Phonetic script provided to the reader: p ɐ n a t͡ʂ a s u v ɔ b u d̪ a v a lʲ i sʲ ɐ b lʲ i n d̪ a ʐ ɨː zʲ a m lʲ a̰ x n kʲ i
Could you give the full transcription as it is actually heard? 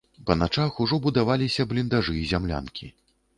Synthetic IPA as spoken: p ɐ n a t͡ʂ a x u ʐ ɔ b u d̪ a v a lʲ i sʲ ɐ b lʲ i n d̪ a ʐ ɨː zʲ a m lʲ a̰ n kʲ i